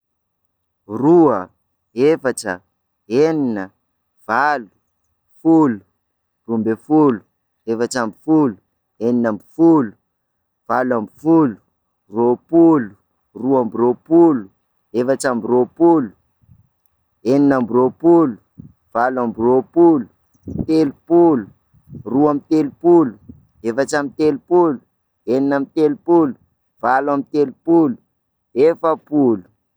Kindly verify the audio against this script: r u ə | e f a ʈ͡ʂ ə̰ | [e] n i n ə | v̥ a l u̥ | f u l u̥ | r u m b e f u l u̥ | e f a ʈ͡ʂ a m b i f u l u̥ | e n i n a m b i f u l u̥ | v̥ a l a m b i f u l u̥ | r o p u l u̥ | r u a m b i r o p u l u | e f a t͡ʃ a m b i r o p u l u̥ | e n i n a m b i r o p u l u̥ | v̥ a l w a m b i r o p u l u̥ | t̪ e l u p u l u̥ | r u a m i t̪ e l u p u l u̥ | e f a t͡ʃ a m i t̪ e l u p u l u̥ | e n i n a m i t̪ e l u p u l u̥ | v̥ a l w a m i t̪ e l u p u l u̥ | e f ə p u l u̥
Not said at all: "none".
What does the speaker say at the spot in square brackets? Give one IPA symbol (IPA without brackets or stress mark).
e